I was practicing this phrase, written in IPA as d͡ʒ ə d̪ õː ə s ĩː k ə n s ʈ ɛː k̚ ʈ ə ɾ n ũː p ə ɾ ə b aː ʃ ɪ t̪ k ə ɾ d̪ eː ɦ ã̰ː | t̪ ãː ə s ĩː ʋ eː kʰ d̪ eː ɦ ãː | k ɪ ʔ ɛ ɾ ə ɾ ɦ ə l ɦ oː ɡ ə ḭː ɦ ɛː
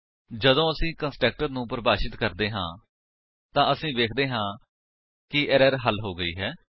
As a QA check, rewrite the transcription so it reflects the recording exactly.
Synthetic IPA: d͡ʒ ə d̪ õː ə s ĩː k ə n s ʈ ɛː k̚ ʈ ə ɾ n ũː p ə ɾ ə b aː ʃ ɪ t̪ k ə ɾ d̪ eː ɦ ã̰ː | t̪ ãː ə s ĩː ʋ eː kʰ d̪ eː ɦ ãː | k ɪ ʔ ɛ ɾ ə ɾ ɦ ə l ɦ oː ɡ ə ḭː ɦ ɛː

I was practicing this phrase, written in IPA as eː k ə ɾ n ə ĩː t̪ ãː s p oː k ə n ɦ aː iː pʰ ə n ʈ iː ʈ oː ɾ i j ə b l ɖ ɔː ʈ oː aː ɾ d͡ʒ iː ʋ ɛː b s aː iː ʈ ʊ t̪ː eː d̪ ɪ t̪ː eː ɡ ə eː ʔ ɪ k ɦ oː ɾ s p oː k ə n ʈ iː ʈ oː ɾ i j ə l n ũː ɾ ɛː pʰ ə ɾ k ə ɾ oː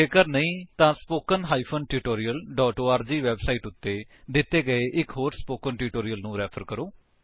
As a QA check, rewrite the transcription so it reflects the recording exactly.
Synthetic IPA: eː k ə ɾ n ə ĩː t̪ ãː s p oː k ə n ɦ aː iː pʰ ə n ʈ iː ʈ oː ɾ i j ə l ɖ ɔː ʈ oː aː ɾ d͡ʒ iː ʋ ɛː b s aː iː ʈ ʊ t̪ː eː d̪ ɪ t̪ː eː ɡ ə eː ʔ ɪ k ɦ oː ɾ s p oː k ə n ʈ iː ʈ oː ɾ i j ə l n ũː ɾ ɛː pʰ ə ɾ k ə ɾ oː

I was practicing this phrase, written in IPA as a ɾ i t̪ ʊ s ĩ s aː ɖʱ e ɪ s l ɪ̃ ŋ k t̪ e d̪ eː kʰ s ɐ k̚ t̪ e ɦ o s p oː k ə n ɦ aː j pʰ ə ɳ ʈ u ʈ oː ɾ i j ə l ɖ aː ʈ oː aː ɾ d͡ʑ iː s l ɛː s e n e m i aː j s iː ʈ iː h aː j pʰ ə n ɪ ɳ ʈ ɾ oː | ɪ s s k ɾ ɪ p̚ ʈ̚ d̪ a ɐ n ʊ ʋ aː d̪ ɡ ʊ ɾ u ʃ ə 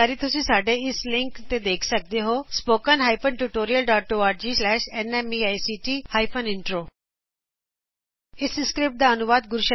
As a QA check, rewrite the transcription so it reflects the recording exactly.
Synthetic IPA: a ɾ i t̪ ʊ s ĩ s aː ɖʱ e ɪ s l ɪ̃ ŋ k t̪ e d̪ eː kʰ s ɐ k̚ d̪ e ɦ o s p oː k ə n ɦ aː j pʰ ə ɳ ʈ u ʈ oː ɾ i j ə l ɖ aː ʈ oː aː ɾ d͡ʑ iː s l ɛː ʃ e n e m i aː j s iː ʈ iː h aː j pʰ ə n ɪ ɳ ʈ ɾ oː | ɪ s s k ɾ ɪ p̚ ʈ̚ d̪ a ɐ n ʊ ʋ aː d̪ ɡ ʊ ɾ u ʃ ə

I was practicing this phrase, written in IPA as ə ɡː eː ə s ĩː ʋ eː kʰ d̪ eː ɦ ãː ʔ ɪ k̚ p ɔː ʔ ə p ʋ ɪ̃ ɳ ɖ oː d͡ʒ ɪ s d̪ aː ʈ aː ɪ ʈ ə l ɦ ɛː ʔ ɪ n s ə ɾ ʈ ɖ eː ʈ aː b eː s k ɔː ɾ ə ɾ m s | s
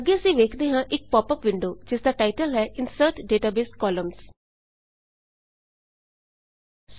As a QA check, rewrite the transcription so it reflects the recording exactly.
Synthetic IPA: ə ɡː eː ə s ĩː ʋ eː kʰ d̪ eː ɦ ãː ʔ ɪ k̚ p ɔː p ə p ʋ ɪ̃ ɳ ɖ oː d͡ʒ ɪ s d̪ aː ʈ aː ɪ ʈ ə l ɦ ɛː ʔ ɪ n s ə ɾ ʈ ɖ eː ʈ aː b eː s k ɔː l ə m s | s

